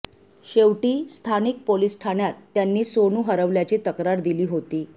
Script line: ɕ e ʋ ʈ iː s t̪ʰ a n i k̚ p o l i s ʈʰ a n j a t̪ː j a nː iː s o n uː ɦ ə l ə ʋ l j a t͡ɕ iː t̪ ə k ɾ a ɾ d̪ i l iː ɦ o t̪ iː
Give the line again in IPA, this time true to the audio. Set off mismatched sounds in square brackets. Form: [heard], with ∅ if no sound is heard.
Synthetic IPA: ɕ e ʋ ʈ iː s t̪ʰ a n i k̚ p o l i s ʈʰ a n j a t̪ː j a nː iː s o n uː ɦ ə [ɾ] ə ʋ l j a t͡ɕ iː t̪ ə k ɾ a ɾ d̪ i l iː ɦ o t̪ iː